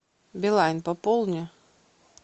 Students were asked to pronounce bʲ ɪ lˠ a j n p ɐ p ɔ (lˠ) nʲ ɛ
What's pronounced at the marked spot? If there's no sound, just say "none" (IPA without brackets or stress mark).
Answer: lˠ